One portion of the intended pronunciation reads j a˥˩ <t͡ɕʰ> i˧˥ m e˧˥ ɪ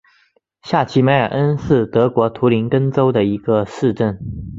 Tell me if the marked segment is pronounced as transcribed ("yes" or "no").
yes